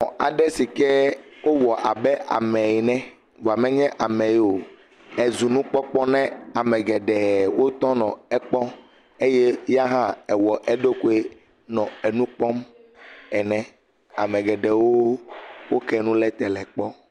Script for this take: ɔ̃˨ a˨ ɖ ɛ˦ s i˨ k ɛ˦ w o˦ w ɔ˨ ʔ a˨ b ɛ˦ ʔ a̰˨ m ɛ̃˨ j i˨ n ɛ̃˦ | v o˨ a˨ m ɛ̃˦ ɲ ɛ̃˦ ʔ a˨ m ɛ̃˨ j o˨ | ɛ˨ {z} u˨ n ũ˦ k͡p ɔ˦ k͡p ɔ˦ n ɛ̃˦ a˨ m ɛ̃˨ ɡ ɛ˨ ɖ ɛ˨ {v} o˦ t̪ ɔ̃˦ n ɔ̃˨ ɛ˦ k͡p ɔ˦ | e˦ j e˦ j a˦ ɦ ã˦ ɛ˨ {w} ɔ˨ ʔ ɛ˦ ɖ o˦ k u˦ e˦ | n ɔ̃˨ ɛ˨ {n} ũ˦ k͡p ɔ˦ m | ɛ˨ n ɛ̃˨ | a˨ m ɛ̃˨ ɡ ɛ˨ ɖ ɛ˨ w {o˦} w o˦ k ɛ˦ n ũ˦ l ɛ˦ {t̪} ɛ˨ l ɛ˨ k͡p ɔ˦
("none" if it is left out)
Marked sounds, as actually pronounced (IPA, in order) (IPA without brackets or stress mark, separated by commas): z, w, w, n, o˦, t̪